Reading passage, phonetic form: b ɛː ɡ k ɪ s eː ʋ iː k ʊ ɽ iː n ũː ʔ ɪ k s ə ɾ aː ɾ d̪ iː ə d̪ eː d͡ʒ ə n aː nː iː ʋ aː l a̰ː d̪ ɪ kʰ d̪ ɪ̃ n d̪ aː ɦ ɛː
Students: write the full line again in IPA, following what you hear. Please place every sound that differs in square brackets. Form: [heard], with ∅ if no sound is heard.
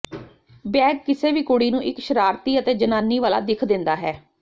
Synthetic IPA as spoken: b ɛː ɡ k ɪ s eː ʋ iː k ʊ ɽ iː n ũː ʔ ɪ k [ʃ] ə ɾ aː ɾ [t̪] iː ə [t̪] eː d͡ʒ ə n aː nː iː ʋ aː l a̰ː d̪ ɪ kʰ d̪ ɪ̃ n d̪ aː ɦ ɛː